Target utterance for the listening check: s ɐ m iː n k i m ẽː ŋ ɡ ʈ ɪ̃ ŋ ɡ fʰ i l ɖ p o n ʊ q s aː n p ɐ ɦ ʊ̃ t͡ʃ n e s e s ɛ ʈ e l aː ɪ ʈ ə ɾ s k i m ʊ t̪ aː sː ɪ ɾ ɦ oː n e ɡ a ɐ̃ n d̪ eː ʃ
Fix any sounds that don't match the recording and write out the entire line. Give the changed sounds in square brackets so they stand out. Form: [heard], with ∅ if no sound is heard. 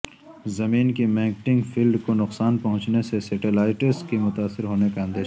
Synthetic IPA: [z] ɐ m iː n k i m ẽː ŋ [k] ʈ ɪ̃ ŋ ɡ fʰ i l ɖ [k] o n ʊ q s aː n p ɐ ɦ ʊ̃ t͡ʃ n e s e s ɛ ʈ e l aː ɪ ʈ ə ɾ s k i m ʊ t̪ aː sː ɪ ɾ ɦ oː n e [k] a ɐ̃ n d̪ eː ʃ